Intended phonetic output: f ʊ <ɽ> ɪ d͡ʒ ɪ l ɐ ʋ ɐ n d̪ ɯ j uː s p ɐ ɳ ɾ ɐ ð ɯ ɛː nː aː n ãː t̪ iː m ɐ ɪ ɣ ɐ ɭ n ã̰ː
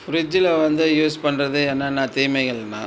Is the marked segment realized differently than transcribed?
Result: yes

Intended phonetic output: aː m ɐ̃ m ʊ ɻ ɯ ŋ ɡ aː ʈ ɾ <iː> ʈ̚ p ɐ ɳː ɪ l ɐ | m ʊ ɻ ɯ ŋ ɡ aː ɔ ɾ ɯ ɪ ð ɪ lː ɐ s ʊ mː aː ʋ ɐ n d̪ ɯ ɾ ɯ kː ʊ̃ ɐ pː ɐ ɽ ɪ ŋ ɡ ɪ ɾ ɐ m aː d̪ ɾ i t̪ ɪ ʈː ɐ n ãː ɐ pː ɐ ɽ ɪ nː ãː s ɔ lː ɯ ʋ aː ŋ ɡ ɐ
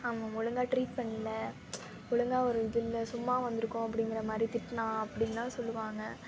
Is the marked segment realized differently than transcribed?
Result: no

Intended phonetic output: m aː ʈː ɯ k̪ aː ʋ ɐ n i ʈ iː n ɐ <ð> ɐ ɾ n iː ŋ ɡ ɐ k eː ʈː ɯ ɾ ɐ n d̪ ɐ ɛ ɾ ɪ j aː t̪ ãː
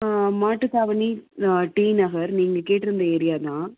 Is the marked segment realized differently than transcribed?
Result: yes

